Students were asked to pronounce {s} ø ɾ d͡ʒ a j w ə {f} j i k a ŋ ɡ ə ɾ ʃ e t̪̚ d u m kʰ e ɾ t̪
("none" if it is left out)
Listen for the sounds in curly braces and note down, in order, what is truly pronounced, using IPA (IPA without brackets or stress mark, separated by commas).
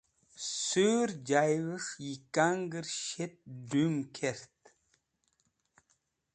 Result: s, ʂ